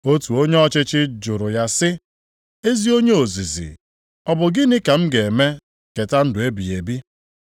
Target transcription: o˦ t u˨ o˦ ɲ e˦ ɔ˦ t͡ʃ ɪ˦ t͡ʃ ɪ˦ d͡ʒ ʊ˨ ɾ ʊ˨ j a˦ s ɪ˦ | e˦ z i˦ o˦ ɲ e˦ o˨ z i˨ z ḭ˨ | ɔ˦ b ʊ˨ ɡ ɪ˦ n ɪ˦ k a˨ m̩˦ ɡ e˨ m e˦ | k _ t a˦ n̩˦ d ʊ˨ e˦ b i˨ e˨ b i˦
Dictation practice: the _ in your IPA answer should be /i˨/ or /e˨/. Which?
e˨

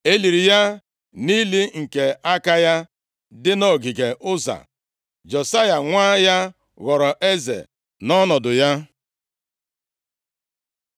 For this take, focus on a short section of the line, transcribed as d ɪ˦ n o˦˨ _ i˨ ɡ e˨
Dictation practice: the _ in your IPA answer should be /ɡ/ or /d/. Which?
ɡ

